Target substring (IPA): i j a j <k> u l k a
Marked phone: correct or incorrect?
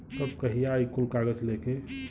correct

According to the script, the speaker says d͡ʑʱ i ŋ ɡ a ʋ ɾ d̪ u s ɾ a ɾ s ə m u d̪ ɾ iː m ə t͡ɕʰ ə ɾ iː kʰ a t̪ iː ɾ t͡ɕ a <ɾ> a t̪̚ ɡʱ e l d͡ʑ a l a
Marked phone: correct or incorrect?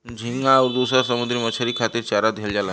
correct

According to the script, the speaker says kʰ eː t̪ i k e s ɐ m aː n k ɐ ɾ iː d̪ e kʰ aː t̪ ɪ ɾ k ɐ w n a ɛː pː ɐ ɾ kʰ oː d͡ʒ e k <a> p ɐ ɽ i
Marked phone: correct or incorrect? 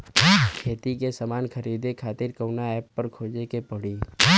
incorrect: e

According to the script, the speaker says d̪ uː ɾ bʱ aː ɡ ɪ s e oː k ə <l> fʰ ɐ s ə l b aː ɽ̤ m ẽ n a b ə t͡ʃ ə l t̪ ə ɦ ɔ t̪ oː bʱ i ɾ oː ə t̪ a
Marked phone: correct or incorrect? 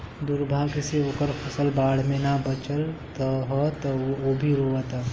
incorrect: ɾ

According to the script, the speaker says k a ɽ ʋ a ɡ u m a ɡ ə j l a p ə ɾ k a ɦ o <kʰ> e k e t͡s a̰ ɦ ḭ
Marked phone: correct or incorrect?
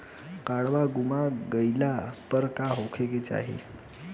correct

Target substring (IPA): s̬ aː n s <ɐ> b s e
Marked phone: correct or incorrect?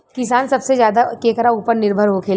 correct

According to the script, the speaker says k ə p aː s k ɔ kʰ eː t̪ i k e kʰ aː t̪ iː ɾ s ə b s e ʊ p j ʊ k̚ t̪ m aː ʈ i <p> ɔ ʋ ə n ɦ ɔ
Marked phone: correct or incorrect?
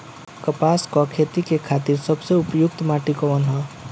incorrect: k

